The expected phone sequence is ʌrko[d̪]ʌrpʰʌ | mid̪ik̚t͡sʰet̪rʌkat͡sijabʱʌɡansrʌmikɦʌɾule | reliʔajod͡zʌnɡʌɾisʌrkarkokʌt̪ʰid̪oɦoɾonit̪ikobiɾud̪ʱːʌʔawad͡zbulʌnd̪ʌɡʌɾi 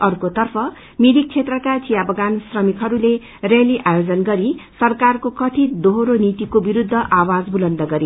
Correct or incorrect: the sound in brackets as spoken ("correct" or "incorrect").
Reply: incorrect